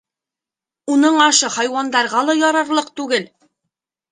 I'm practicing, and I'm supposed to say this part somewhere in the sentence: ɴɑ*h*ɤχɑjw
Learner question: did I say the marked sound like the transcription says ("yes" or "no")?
no